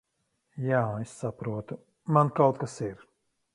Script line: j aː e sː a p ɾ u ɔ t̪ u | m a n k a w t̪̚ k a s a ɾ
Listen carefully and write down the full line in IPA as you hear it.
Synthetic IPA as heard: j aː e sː a p ɾ u ɔ t̪ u | m a n k a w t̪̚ k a s i ɾ